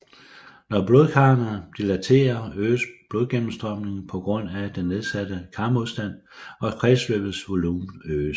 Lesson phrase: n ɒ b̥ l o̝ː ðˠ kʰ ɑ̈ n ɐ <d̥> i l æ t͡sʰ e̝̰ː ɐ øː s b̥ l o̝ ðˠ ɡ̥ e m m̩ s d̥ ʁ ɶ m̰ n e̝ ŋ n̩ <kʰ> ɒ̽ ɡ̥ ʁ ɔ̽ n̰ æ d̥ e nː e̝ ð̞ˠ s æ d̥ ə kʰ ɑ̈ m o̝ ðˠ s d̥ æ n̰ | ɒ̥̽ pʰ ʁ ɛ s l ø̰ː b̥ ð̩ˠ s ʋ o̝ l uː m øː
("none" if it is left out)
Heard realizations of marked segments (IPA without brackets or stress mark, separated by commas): d̥, pʰ